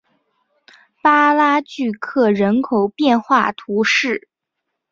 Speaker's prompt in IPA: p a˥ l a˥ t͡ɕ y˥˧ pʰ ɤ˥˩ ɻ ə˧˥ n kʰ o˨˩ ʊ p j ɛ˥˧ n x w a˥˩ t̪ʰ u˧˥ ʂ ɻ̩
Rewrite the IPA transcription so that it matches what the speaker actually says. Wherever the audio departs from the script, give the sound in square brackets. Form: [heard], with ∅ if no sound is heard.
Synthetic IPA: p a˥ l a˥ t͡ɕ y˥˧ [kʰ] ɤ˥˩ ɻ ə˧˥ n kʰ o˨˩ ʊ p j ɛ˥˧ n x w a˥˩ t̪ʰ u˧˥ ʂ ɻ̩